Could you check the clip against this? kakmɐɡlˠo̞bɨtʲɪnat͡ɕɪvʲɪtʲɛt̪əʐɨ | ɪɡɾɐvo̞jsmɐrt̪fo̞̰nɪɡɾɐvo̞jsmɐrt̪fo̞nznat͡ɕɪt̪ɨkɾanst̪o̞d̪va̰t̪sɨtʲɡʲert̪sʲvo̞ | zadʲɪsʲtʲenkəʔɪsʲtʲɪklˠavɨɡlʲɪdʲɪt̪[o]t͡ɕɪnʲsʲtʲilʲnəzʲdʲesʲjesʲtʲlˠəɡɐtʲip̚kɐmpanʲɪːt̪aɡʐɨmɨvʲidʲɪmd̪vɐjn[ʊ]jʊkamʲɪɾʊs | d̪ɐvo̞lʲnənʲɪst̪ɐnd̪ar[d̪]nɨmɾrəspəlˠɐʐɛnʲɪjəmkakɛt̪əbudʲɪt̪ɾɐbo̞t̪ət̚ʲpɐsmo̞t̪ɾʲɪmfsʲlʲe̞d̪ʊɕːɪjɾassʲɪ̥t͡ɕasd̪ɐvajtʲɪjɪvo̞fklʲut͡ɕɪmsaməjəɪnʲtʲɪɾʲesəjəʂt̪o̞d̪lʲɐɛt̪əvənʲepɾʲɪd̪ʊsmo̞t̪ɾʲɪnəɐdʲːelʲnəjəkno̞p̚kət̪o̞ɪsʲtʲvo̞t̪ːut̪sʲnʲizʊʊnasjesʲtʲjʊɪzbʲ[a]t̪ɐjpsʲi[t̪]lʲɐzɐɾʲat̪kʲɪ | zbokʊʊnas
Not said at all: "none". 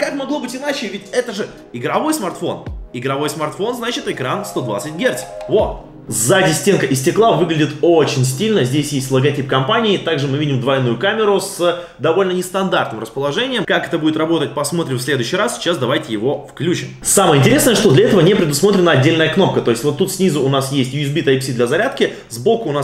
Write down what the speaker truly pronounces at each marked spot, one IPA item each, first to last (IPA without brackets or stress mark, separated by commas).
o, u, t̪, i, d̪